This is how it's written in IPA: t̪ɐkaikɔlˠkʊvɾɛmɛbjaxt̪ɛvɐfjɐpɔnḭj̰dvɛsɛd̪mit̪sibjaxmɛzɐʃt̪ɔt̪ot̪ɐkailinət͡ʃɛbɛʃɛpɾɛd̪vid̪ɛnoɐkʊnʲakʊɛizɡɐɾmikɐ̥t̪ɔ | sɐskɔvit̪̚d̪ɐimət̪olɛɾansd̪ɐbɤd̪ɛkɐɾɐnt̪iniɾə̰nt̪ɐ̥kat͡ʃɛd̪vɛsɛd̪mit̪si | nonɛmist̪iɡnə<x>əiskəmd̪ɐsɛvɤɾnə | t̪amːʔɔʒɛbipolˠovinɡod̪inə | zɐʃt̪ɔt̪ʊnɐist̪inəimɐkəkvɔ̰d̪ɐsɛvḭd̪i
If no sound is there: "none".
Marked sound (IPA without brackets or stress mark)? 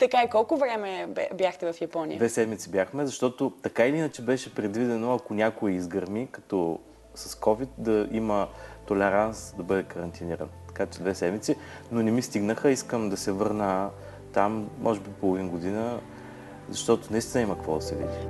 x